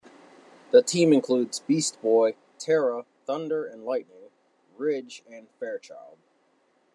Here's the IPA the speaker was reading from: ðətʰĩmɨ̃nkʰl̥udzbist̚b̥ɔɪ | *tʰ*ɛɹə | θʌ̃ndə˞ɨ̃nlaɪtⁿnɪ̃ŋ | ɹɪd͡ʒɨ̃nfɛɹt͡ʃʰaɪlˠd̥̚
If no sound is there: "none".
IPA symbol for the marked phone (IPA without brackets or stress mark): tʰ